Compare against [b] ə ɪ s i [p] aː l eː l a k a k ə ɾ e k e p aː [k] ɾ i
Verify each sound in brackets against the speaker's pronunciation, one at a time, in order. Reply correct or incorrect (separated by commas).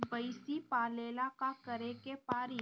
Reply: correct, correct, incorrect